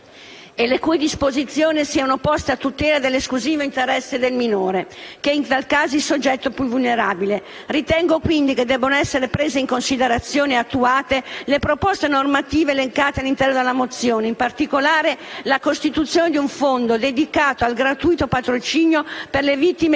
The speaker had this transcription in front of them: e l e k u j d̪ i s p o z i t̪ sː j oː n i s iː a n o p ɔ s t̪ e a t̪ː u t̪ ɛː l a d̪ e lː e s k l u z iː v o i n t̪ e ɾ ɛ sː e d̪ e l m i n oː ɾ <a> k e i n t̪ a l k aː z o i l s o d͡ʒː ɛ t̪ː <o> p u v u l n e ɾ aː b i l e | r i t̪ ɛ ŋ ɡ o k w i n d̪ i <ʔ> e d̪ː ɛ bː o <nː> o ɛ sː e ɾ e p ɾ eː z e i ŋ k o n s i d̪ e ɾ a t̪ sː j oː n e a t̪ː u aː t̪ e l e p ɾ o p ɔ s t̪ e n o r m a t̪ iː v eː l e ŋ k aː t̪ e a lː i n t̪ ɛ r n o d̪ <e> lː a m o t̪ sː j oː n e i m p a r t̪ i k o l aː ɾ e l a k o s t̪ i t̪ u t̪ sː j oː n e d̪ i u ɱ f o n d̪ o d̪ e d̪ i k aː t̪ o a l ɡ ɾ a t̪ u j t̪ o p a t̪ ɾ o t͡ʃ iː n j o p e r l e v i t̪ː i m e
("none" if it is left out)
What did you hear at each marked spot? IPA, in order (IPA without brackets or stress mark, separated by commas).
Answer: e, o, k, n, e